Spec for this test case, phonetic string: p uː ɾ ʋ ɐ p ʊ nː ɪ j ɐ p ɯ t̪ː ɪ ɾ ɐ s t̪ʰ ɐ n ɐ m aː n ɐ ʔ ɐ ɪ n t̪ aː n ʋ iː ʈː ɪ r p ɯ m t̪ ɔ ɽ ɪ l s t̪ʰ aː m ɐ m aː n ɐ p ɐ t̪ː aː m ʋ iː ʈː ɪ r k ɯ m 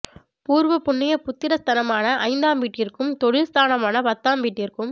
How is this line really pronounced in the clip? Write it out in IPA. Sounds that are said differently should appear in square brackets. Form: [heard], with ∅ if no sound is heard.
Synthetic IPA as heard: p uː ɾ ʋ ɐ p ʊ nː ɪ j ɐ p [ʊ] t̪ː ɪ ɾ ɐ s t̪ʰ ɐ n ɐ m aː n ɐ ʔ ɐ ɪ n [d̪] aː [m] ʋ iː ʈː ɪ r [k] ɯ m t̪ ɔ ɽ ɪ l s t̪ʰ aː [n] ɐ m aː n ɐ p ɐ t̪ː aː m ʋ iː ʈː ɪ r k ɯ m